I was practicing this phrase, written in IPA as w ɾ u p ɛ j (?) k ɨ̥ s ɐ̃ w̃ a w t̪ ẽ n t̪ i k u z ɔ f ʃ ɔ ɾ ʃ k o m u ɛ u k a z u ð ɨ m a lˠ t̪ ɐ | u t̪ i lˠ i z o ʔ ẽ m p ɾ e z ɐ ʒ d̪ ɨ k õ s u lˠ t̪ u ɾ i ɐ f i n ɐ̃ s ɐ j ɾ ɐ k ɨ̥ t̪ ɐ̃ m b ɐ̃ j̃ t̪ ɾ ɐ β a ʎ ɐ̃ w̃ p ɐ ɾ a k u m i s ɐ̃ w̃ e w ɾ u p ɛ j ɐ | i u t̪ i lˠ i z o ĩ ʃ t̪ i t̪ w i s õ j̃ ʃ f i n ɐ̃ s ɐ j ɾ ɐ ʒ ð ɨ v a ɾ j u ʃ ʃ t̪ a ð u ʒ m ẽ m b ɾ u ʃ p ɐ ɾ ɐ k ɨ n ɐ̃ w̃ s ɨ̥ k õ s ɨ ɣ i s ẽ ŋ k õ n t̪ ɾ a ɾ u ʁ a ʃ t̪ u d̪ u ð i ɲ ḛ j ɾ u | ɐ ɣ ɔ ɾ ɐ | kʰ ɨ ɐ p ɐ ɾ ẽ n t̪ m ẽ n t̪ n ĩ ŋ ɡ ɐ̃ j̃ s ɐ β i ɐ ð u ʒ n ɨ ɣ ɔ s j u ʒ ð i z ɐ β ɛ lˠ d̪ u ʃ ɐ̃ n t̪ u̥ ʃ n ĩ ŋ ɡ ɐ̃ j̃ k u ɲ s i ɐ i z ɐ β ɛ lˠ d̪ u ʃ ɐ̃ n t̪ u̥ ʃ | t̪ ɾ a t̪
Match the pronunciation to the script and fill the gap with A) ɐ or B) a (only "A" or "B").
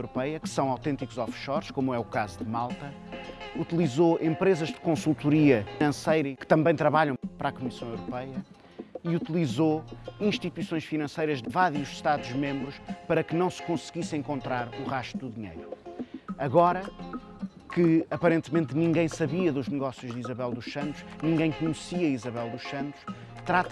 A